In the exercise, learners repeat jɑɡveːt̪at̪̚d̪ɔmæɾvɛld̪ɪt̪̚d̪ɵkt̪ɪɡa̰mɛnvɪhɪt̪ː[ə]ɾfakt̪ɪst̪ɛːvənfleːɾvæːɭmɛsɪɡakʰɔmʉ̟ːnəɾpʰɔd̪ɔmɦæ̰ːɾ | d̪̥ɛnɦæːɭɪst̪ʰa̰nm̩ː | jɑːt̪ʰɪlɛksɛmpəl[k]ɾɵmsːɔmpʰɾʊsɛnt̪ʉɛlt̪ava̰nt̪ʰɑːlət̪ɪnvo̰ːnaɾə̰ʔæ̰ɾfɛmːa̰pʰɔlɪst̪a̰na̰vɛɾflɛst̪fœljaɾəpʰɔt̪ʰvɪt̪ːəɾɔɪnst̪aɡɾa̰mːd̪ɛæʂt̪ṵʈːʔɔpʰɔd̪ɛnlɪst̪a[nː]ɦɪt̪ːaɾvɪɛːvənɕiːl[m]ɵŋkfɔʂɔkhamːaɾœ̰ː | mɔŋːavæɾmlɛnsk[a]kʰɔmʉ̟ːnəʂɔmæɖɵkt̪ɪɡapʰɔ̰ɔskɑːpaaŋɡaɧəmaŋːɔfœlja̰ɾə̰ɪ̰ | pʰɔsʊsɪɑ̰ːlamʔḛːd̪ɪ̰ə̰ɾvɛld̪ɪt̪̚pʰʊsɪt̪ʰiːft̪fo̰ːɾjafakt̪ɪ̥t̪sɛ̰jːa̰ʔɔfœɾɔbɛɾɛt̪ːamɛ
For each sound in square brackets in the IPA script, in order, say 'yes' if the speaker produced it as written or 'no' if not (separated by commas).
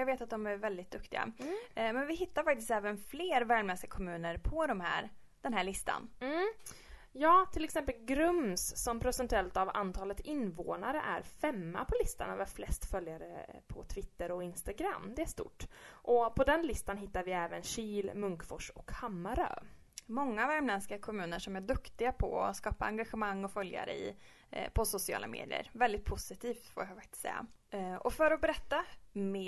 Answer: no, no, no, yes, yes